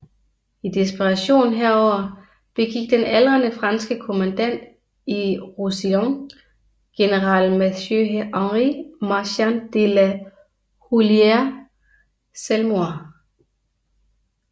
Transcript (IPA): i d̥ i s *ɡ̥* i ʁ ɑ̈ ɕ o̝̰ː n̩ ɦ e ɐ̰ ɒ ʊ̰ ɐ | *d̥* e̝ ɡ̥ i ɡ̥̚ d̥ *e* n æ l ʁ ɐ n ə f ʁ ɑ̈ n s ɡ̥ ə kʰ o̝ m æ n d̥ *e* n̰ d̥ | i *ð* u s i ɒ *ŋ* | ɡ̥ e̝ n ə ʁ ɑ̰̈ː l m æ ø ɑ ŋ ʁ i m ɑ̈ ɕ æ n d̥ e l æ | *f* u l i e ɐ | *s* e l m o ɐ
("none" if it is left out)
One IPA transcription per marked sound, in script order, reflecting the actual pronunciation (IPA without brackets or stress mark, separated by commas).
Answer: b̥, b̥, e, æ, ʁ, ŋ, h, s